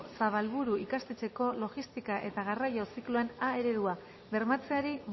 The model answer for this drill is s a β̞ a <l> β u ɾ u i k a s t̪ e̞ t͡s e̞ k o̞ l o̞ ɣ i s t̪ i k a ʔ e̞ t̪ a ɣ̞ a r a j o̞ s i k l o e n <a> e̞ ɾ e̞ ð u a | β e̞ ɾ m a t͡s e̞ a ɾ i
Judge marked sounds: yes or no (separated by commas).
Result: yes, yes